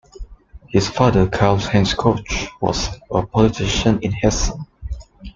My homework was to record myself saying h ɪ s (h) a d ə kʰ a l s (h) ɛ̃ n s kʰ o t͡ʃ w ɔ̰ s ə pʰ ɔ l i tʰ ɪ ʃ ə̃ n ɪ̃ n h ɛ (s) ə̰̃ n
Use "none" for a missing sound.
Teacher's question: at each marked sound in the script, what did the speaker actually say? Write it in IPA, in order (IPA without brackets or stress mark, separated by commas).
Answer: f, h, s